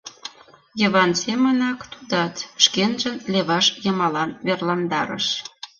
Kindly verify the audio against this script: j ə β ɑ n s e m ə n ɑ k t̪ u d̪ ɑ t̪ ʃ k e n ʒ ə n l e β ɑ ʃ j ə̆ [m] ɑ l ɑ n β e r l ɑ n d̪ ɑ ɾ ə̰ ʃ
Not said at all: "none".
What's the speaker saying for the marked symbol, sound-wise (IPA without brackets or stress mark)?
m